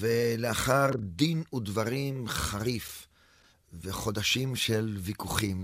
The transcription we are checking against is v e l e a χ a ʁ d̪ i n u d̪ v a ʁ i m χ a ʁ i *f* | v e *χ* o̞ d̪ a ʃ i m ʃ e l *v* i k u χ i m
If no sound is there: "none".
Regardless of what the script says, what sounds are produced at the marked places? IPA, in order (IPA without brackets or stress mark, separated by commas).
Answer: f, χ, v